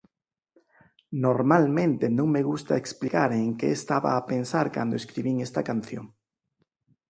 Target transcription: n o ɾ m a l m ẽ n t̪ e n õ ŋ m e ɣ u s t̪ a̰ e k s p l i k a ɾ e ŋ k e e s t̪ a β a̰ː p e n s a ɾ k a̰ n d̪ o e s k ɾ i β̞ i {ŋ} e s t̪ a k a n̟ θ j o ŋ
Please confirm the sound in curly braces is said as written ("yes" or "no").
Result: yes